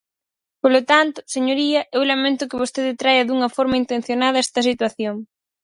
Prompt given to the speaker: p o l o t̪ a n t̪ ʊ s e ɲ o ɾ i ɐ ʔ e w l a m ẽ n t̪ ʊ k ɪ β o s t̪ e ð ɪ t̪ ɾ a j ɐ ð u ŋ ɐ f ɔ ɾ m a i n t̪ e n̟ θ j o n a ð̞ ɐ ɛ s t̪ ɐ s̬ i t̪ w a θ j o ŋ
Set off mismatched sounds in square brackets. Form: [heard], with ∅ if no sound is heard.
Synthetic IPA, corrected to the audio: p o l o t̪ a n t̪ ʊ s e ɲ o ɾ i ɐ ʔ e w l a m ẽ n t̪ ʊ k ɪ β o s t̪ e ð ɪ t̪ ɾ a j ɐ ð u ŋ ɐ f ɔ ɾ m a i n t̪ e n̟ θ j o n a ð̞ ɐ ɛ s t̪ ɐ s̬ i t̪ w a θ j o ŋ